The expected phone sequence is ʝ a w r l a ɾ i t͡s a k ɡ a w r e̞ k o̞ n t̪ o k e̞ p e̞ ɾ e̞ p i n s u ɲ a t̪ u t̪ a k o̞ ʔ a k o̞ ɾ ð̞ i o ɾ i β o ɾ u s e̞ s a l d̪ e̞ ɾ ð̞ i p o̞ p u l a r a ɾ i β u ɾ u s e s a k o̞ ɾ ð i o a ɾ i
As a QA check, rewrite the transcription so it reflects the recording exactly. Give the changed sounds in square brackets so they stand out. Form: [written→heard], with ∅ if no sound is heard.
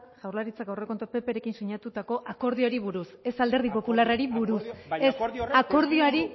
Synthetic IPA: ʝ a w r l a ɾ i t͡s a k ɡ a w r e̞ k o̞ n t̪ o [k→p] e̞ p e̞ ɾ e̞ [p→k] i n s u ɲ a t̪ u t̪ a k o̞ ʔ a k o̞ ɾ ð̞ i o ɾ i β [o→u] ɾ u s e̞ s a l d̪ e̞ ɾ ð̞ i p o̞ p u l a r a ɾ i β u ɾ u s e s a k o̞ ɾ ð i o a ɾ i